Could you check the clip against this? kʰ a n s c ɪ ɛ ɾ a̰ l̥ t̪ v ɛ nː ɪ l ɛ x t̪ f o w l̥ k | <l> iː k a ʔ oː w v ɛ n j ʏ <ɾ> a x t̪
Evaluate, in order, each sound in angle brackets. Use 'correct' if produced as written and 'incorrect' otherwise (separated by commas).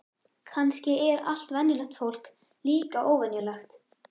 correct, incorrect